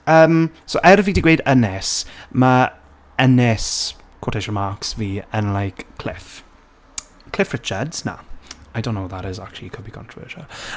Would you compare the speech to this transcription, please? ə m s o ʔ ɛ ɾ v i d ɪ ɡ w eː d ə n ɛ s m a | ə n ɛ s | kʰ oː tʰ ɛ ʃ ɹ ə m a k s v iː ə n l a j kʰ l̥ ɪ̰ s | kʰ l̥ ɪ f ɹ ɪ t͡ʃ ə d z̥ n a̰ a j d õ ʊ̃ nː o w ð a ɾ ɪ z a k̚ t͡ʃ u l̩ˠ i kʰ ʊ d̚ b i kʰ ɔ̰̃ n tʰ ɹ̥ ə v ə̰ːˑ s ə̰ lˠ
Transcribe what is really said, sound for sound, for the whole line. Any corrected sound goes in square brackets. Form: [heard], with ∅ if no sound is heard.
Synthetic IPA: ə m s o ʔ ɛ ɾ v i d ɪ ɡ w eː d ə n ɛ s m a | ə n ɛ s | kʰ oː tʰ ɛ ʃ ɹ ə m a k s v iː ə n l a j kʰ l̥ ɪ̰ [f] | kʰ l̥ ɪ f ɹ ɪ t͡ʃ ə d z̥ n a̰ a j d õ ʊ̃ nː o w ð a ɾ ɪ z a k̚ t͡ʃ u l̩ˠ i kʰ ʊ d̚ b i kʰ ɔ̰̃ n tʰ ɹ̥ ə v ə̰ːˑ [ʃ] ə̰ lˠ